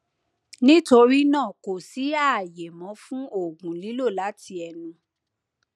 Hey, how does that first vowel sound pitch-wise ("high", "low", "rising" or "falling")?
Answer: high